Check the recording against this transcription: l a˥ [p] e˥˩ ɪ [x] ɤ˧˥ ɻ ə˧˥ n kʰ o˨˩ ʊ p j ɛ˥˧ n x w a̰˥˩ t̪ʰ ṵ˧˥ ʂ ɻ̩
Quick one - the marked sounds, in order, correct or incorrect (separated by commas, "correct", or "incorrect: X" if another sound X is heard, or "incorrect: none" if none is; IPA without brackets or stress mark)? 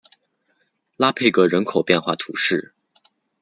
incorrect: pʰ, incorrect: k